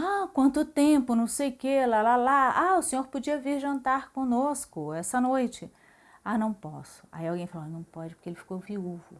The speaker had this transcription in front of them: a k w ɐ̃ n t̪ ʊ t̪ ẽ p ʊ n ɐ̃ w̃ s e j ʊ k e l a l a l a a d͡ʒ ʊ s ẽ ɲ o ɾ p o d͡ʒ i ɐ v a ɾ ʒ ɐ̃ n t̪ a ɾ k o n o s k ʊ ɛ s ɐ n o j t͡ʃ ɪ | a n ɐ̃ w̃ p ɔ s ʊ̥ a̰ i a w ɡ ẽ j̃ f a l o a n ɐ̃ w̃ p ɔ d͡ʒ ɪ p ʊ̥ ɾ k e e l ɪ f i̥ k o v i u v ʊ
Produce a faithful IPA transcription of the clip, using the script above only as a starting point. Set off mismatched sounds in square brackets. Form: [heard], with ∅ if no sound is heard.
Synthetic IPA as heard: a k w ɐ̃ n t̪ ʊ t̪ ẽ p ʊ n ɐ̃ w̃ s e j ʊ k e l a l a l a a [∅] ʊ s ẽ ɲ o ɾ p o d͡ʒ i ɐ v [i] ɾ ʒ ɐ̃ n t̪ a ɾ k [õ] n o s k ʊ ɛ s ɐ n o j t͡ʃ ɪ | a n ɐ̃ w̃ p ɔ s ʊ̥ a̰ i a w ɡ ẽ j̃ f a l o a n ɐ̃ w̃ p ɔ d͡ʒ ɪ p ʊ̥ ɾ k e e l ɪ f i̥ k o v i u v ʊ